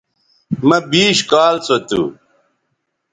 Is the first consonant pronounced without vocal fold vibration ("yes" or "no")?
no